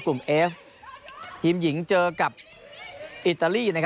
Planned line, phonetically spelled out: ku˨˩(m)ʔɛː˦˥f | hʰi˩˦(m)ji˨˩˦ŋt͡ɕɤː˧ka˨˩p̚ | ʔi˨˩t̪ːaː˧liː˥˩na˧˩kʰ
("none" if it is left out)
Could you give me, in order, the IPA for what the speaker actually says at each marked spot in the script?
m, m

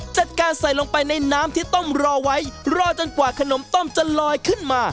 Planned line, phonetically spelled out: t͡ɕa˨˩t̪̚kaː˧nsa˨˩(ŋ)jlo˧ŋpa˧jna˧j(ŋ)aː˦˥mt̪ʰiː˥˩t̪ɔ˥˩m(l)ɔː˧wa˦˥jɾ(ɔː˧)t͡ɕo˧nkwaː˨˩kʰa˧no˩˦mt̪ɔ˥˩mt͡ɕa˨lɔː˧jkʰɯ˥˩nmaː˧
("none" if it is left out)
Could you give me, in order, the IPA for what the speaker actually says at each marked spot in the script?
none, n, ɾ, ɔː˧

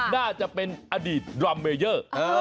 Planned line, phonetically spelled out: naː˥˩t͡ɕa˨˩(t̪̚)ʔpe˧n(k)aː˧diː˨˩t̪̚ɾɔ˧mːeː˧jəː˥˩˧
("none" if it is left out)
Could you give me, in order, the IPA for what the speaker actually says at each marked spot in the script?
none, ʔ

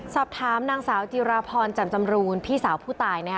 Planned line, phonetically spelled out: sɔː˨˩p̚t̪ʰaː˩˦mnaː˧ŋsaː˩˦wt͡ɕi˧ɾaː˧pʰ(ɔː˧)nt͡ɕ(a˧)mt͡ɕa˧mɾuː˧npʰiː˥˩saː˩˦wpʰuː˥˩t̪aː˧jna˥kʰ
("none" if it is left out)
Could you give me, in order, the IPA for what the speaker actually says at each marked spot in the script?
ɔː˧, a˨˩

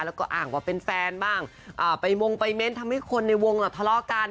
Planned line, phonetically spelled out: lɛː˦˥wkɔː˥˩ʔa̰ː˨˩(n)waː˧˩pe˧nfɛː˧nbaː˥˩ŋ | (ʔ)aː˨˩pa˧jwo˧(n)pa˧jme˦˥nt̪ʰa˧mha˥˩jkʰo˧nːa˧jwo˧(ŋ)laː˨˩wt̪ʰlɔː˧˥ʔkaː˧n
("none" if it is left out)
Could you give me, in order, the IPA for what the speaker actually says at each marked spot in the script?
ŋ, ʔ, ŋ, ŋ

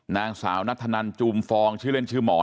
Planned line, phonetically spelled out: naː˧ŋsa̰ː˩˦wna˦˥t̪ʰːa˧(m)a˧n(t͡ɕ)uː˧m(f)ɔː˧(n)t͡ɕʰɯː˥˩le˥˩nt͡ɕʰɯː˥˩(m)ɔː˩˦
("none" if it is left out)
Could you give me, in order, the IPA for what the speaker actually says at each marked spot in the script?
n, t͡ɕ, f, ŋ, m

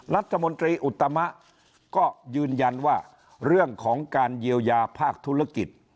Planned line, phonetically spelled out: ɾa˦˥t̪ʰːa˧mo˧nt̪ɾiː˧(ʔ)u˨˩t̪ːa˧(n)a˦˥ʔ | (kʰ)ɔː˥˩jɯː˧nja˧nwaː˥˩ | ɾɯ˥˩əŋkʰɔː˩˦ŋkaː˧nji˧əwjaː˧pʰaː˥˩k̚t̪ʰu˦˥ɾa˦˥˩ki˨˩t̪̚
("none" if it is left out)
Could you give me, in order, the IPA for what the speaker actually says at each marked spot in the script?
ʔ, m, k

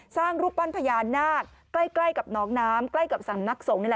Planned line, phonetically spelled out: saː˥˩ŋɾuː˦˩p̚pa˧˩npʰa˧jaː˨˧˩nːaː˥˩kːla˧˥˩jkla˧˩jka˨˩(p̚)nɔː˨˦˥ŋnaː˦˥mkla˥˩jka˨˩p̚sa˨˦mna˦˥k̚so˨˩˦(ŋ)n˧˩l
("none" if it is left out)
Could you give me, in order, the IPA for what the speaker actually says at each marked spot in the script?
p̚, ŋ

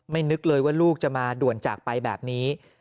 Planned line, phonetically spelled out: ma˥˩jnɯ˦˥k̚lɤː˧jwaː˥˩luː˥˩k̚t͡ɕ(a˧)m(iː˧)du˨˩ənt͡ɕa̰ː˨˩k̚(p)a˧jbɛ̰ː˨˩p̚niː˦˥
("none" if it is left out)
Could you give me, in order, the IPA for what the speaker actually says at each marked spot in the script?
a˨˩, aː˧, p

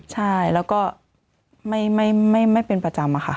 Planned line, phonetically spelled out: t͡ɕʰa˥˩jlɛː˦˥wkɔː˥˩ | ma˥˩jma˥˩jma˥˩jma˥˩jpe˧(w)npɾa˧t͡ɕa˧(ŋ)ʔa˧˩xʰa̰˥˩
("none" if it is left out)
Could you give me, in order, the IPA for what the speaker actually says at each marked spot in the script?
none, m

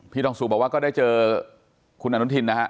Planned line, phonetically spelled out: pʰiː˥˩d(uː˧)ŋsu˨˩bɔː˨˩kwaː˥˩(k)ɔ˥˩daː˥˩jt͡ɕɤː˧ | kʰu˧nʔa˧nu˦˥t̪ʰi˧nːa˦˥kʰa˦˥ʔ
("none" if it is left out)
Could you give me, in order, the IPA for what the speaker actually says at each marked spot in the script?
ɔː˧, k

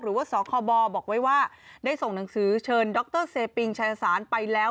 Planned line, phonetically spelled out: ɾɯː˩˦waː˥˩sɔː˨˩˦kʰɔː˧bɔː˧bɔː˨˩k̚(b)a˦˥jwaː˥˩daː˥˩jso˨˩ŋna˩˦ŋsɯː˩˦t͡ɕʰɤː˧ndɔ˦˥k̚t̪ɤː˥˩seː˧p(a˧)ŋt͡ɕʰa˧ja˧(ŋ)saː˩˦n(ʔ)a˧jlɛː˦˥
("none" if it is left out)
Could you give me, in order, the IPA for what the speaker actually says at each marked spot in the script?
w, i˧, none, p

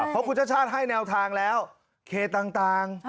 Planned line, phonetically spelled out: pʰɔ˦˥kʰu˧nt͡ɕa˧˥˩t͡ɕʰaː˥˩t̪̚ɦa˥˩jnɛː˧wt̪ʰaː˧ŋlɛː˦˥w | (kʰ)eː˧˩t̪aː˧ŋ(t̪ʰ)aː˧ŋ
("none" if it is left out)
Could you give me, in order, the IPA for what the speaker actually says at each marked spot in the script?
kʰ, t̪

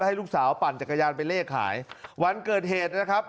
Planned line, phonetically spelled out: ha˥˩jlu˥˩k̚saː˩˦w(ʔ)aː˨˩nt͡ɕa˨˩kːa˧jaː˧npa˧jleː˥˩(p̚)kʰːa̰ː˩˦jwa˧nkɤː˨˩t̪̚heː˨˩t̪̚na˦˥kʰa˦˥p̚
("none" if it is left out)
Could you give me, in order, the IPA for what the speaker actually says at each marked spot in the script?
p, none

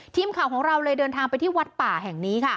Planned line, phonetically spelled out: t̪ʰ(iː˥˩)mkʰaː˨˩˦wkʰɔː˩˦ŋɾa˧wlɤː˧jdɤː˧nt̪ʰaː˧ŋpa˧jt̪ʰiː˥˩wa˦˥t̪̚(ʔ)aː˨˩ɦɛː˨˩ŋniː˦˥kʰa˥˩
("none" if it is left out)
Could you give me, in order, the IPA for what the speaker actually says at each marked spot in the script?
iː˧, p

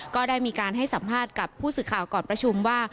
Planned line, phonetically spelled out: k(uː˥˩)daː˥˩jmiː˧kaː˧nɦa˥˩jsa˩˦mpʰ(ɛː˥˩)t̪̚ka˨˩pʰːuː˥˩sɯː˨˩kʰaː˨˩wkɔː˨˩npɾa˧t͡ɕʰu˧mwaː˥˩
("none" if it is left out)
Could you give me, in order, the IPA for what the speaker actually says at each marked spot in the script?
ɔː˥˩, aː˥˩

